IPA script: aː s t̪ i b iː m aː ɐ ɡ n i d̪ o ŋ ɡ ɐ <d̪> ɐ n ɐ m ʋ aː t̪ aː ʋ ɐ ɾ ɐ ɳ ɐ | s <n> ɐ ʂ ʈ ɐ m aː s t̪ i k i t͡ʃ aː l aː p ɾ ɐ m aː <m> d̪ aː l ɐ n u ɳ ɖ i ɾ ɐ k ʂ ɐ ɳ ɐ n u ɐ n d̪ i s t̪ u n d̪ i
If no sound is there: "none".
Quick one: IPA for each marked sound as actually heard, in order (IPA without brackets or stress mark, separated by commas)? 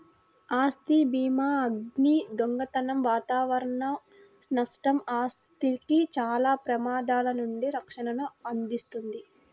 t̪, n, none